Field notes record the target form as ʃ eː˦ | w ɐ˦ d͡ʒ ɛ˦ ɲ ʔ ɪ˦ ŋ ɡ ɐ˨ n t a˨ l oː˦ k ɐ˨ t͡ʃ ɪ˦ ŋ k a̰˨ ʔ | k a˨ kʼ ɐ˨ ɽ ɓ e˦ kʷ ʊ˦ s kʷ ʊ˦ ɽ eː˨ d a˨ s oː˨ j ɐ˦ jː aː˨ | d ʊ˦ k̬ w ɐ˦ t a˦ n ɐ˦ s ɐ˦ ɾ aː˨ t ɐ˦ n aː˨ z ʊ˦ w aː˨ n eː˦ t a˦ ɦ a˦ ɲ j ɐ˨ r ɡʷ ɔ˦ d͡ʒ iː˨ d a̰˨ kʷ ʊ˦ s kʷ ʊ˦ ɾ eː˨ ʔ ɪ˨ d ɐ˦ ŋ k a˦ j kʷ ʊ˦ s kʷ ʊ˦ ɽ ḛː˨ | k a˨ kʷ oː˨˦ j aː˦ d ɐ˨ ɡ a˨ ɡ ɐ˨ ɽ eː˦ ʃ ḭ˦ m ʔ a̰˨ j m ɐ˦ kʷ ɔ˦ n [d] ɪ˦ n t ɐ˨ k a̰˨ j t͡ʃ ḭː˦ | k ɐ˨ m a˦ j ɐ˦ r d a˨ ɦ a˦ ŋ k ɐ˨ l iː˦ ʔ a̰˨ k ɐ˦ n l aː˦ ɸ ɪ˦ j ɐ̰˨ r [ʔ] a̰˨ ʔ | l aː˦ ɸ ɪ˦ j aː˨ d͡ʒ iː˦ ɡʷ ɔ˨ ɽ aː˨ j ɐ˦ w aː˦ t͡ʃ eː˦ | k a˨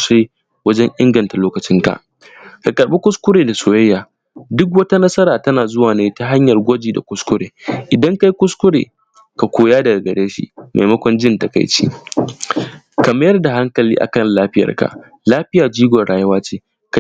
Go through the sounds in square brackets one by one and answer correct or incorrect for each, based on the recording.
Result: incorrect: d͡ʒ, incorrect: k

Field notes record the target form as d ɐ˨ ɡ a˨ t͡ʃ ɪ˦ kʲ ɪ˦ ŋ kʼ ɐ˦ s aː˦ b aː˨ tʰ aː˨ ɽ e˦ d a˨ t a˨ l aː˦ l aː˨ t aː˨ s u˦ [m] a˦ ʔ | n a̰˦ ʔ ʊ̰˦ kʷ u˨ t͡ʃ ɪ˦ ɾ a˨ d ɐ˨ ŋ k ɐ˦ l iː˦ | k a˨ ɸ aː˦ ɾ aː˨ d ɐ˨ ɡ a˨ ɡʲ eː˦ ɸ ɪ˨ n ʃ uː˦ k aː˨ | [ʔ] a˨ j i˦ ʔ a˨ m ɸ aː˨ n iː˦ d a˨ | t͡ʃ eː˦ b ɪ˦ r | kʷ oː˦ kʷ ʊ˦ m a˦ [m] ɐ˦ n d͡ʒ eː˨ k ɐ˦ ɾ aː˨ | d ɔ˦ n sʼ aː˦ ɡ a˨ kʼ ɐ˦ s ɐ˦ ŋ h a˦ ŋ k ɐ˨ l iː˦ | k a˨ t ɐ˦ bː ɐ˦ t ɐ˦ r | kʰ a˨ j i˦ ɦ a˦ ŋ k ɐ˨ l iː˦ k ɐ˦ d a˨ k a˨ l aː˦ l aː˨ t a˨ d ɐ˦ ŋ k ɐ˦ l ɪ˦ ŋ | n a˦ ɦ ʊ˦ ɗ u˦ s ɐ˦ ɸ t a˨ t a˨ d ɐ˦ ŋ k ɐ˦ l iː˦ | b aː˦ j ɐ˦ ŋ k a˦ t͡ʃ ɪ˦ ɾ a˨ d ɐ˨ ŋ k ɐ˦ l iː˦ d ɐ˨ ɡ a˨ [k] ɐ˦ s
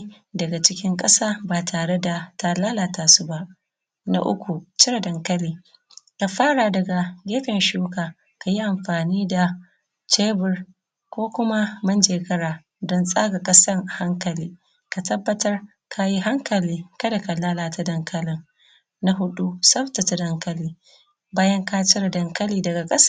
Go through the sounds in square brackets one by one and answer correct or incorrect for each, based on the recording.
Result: incorrect: b, incorrect: k, correct, incorrect: kʼ

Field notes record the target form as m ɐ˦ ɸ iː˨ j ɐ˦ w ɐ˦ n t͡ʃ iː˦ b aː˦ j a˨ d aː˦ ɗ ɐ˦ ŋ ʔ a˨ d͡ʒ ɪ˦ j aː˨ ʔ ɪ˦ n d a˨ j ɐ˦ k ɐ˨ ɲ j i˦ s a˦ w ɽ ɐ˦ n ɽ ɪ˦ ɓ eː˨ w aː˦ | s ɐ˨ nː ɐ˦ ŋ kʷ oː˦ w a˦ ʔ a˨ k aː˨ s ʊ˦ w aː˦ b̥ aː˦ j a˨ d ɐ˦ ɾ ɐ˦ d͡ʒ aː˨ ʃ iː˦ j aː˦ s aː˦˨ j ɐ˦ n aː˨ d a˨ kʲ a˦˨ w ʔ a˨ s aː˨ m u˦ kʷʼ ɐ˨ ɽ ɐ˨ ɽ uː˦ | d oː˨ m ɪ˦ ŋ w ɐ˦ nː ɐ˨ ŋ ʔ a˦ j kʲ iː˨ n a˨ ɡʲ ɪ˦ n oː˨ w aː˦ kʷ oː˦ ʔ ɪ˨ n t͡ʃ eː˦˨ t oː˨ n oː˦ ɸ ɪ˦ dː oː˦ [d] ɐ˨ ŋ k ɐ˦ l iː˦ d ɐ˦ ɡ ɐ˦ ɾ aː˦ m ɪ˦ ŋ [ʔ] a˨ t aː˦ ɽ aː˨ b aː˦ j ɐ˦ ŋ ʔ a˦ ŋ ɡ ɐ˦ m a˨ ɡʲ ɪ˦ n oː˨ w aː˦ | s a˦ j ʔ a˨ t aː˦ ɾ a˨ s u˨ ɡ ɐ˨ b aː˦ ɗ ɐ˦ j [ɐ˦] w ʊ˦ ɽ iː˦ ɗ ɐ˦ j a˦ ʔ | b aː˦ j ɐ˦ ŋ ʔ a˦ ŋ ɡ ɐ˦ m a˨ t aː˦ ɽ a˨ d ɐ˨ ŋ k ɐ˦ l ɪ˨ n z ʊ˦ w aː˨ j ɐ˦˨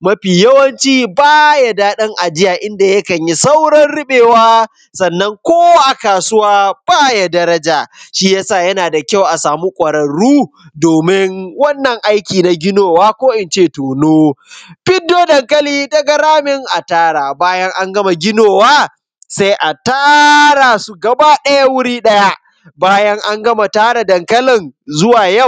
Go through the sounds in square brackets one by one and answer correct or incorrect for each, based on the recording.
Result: correct, correct, incorrect: a˦

